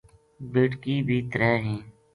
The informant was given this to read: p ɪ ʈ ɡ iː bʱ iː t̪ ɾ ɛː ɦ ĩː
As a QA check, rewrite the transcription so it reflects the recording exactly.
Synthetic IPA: b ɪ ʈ k iː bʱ iː t̪ ɾ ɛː ɦ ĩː